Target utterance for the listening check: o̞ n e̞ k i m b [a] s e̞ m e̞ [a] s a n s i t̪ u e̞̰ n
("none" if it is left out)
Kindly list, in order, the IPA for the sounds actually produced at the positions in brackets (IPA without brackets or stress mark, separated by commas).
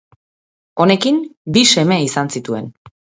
i, i